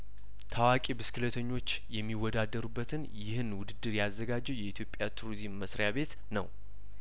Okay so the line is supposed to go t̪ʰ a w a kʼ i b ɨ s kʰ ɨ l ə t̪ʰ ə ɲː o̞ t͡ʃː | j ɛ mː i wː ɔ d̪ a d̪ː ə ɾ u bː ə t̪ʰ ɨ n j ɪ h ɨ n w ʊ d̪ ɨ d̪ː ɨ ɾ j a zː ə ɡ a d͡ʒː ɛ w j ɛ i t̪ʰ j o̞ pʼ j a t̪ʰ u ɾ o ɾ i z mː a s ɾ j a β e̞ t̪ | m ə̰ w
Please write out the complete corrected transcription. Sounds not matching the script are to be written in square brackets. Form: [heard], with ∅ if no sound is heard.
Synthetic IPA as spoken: t̪ʰ a w a kʼ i b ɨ s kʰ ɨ l ə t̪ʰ ə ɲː o̞ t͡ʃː | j ɛ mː i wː ɔ d̪ a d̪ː ə ɾ u bː ə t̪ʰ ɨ n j ɪ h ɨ n w ʊ d̪ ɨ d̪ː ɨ ɾ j a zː ə ɡ a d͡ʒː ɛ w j ɛ i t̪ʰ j o̞ pʼ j a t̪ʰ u ɾ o ɾ i z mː [ə] s ɾ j a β e̞ t̪ | [n] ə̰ w